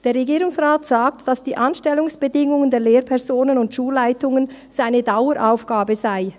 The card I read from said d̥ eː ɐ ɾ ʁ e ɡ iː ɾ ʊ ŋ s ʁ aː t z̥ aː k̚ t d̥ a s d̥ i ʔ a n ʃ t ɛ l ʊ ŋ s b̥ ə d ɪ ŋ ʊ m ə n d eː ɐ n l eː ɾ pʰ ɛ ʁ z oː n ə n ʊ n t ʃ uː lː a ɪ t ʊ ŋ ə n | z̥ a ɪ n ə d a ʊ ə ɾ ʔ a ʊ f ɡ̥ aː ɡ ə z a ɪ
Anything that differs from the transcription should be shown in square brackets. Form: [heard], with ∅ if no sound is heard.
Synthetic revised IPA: d̥ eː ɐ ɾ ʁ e ɡ iː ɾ ʊ ŋ s ʁ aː t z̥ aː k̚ t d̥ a s d̥ [iː] ʔ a n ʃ t ɛ l ʊ ŋ s b̥ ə d ɪ ŋ ʊ [ŋ] ə n d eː ɐ [∅] l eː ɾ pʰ ɛ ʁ z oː n ə n ʊ n t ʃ uː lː a ɪ t ʊ ŋ ə n | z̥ a ɪ n ə d a ʊ ə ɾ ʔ a ʊ f ɡ̥ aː [b] ə z a ɪ